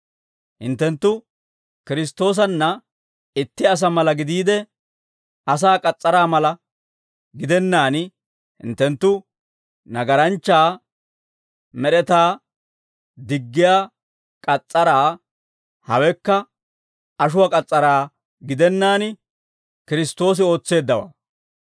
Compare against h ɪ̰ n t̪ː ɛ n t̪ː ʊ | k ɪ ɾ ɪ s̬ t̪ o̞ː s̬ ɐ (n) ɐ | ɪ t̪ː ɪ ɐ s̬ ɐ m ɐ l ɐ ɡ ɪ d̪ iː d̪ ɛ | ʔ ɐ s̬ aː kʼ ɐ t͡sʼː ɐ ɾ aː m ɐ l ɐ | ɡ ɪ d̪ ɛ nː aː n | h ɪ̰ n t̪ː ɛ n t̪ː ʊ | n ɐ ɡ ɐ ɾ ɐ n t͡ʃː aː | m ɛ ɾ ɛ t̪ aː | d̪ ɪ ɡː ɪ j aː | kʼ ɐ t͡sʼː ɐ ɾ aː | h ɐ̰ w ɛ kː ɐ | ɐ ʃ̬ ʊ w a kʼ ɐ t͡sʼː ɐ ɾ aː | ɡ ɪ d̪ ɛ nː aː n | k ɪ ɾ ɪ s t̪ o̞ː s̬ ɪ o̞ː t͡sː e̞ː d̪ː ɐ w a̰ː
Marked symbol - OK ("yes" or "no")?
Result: no